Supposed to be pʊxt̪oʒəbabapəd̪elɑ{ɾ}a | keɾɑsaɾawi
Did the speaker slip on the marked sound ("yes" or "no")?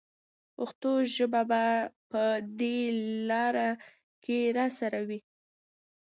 no